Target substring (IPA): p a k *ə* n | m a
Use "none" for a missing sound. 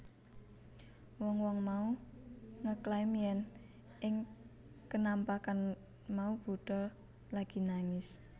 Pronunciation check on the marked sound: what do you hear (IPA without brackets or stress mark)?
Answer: a